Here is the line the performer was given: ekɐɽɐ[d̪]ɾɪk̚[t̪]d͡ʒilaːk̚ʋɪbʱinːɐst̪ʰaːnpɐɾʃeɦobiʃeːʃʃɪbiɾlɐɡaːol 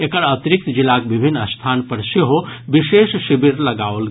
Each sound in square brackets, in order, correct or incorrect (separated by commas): incorrect, correct